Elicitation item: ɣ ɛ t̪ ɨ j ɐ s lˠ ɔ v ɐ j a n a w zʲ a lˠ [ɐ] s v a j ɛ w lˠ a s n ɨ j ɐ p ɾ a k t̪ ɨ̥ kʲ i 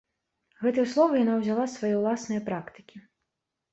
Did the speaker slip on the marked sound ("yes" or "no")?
yes